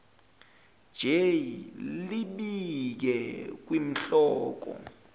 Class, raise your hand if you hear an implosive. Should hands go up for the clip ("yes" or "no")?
yes